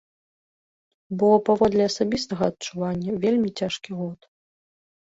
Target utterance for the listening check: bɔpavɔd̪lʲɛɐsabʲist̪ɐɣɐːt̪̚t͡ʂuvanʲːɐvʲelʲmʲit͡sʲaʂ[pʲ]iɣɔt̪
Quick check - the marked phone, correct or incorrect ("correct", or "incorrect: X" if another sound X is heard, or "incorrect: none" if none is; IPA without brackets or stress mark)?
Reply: incorrect: kʲ